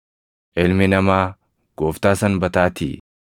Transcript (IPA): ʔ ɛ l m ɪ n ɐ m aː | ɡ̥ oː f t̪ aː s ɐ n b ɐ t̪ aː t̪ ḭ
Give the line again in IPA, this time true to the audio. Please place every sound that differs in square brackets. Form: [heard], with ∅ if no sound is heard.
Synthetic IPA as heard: ʔ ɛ l m ɪ n ɐ m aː | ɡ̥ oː f t̪ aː s ɐ n b ɐ t̪ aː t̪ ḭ